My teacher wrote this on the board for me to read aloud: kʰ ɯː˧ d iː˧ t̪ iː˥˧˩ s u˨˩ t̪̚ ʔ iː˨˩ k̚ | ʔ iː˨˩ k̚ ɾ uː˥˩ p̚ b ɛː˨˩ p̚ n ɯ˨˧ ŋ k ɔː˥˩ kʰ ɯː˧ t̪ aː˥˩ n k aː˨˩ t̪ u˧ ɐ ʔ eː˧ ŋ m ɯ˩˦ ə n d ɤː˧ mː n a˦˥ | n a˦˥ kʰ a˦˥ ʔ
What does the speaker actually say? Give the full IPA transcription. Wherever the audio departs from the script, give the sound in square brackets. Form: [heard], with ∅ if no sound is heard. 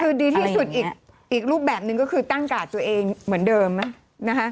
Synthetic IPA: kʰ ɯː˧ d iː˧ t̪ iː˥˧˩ s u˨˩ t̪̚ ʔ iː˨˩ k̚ | ʔ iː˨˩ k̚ ɾ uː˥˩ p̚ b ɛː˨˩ p̚ n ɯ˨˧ ŋ k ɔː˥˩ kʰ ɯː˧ t̪ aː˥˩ [ŋ] k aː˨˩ t̪ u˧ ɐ ʔ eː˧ ŋ m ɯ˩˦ ə n d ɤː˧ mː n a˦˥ | n a˦˥ kʰ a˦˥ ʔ

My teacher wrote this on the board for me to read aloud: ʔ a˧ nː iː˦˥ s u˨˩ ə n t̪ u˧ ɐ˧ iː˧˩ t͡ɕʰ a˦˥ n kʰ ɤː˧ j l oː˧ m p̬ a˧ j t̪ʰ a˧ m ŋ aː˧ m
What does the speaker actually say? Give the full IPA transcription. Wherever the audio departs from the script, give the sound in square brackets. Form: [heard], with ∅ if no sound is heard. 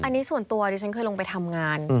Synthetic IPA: ʔ a˧ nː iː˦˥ s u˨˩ ə n t̪ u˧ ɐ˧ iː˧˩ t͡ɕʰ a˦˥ n kʰ ɤː˧ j l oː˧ [ŋ] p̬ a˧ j t̪ʰ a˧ m ŋ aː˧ [n]

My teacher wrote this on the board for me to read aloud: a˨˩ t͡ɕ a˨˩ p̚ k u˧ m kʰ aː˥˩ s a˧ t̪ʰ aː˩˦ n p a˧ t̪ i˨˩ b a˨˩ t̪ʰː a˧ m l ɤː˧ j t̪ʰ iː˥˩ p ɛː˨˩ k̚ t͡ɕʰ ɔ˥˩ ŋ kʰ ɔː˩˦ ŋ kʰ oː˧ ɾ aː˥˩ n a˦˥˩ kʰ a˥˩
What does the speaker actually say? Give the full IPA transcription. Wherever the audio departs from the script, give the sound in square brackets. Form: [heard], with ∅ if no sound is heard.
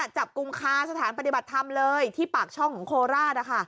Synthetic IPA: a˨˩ t͡ɕ a˨˩ p̚ k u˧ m kʰ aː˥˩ s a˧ t̪ʰ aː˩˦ n p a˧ t̪ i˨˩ b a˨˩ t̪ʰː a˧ m l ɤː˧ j t̪ʰ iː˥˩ p [aː˨˩] k̚ t͡ɕʰ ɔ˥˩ ŋ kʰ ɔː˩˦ ŋ kʰ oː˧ ɾ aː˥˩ n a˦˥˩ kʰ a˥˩

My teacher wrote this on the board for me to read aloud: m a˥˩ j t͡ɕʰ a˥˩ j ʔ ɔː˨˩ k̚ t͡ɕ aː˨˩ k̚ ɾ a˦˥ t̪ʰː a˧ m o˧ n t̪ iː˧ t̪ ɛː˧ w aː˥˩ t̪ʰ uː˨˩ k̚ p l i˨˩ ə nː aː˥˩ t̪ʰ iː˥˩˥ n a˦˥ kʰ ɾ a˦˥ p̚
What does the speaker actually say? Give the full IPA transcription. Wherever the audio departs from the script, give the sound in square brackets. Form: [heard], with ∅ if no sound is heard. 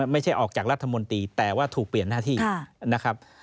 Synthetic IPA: m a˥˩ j t͡ɕʰ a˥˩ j ʔ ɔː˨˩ k̚ t͡ɕ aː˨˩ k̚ ɾ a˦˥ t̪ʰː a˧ m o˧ n t̪ iː˧ t̪ [ɛː˨˩] w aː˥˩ t̪ʰ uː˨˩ k̚ p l i˨˩ ə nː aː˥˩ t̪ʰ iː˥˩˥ n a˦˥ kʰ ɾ a˦˥ p̚

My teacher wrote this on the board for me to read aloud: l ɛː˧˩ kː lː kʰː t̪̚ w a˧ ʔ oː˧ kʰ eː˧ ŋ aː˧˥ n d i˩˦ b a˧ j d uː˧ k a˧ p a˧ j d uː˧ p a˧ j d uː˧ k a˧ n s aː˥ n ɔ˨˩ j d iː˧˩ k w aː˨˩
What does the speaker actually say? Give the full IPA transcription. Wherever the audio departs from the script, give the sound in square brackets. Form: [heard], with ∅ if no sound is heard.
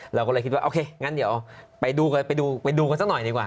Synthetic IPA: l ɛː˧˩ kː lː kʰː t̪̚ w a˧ ʔ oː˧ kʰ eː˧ ŋ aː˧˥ n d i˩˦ [p] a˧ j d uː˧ k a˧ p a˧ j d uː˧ p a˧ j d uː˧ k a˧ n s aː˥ n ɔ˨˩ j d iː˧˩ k w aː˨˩

